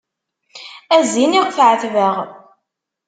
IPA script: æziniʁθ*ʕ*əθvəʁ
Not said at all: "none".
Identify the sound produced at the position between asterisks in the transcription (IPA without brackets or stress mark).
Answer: ʕ